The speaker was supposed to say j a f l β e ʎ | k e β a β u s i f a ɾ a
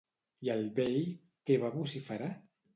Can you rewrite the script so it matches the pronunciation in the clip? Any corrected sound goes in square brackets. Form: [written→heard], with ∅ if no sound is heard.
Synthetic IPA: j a [f→∅] l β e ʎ | k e β a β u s i f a ɾ a

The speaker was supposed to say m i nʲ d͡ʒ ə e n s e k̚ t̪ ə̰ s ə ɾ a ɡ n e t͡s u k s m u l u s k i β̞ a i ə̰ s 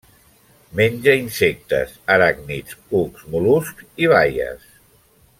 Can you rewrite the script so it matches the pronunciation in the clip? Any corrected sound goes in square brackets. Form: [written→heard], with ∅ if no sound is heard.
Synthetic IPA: m [i→e] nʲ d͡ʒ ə [e→i] n s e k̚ t̪ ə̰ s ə ɾ a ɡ n [e→i] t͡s u k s m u l u s k i β̞ a [i→j] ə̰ s

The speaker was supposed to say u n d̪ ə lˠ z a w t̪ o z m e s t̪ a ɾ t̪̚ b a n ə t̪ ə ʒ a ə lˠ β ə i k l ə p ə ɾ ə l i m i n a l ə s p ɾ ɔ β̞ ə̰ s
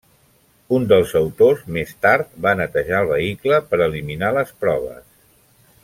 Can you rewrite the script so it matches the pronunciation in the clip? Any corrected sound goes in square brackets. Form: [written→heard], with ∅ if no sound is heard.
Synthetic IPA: u n d̪ ə lˠ z [a→ə] w t̪ o z m e s t̪ a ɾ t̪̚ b a n ə t̪ ə ʒ a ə lˠ β ə i k l ə p ə ɾ ə l i m i n a l ə s p ɾ ɔ β̞ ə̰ s

